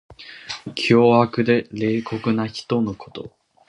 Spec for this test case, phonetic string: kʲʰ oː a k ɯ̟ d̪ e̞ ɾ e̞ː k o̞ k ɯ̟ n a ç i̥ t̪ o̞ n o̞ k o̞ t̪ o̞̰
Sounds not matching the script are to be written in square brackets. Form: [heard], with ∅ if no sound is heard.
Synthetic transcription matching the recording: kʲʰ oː a k ɯ̟ d̪ e̞ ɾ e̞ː k o̞ k ɯ̟ n a ç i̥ t̪ o̞ n o̞ k o̞ t̪ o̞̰